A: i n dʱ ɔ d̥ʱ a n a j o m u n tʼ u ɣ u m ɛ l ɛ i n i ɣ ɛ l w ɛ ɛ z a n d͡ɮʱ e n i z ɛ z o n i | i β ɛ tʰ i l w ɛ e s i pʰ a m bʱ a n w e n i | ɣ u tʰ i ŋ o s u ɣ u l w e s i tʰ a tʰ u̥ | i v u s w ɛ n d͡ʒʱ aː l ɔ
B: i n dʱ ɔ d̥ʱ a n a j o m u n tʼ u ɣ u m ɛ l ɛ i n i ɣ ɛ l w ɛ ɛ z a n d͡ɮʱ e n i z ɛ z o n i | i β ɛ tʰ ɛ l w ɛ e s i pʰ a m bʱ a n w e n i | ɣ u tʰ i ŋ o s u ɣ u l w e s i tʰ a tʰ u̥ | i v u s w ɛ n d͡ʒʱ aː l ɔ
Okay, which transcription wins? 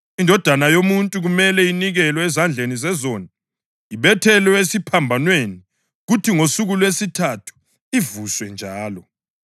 B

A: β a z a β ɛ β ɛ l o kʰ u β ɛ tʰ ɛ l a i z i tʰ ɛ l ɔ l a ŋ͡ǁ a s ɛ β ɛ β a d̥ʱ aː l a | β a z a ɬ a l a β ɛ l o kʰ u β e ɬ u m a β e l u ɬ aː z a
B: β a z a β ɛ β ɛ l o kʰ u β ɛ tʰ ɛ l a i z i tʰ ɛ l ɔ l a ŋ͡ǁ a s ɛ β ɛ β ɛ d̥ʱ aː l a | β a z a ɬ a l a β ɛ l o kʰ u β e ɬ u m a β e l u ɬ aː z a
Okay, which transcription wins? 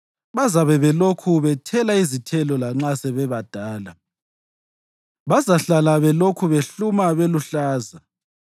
A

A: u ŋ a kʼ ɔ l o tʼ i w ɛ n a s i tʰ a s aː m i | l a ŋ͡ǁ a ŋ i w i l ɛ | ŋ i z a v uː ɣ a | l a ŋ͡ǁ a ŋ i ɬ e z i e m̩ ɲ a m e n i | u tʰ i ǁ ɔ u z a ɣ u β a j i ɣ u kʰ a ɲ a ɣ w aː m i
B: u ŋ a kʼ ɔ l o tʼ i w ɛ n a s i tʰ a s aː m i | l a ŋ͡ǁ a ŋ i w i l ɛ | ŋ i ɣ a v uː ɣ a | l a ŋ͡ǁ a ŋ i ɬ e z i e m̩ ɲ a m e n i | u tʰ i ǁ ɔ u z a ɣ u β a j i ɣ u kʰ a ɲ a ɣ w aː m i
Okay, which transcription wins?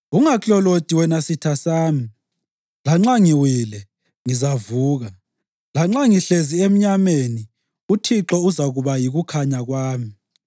A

